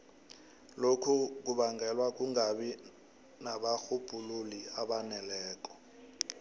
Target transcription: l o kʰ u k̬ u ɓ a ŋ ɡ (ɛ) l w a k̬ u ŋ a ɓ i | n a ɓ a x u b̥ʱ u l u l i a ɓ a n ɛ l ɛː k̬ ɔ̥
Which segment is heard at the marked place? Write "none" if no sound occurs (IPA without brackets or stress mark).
ɛ